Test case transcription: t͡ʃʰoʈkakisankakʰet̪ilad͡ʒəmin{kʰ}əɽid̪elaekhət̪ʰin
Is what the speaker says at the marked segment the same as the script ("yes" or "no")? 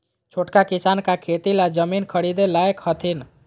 yes